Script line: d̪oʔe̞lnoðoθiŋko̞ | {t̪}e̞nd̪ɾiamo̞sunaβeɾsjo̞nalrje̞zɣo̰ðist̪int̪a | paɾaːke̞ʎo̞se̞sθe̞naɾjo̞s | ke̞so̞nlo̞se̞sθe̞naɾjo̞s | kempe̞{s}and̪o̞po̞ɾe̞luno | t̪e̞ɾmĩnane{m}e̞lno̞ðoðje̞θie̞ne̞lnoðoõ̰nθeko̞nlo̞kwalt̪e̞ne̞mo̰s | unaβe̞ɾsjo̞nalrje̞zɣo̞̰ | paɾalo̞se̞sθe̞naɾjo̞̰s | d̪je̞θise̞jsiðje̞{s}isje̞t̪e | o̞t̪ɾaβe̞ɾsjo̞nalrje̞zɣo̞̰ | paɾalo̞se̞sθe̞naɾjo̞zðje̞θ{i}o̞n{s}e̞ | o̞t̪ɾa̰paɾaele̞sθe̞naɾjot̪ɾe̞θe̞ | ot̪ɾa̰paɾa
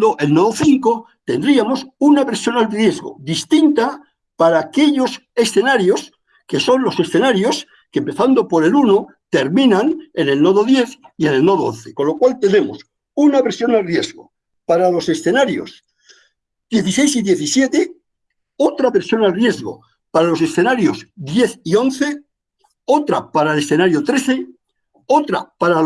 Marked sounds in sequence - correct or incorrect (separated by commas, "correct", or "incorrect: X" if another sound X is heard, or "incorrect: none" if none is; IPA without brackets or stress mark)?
correct, incorrect: θ, incorrect: n, incorrect: θ, correct, incorrect: θ